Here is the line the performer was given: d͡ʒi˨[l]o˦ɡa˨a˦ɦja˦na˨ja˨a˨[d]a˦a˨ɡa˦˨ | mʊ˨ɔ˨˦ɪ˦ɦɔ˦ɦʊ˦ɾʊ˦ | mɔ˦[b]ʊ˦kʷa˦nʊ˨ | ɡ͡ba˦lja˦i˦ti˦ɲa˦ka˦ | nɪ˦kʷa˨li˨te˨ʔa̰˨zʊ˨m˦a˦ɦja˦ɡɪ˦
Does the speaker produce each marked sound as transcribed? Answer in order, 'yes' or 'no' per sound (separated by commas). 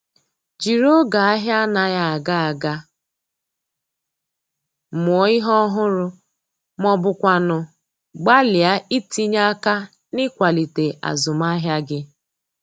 no, no, yes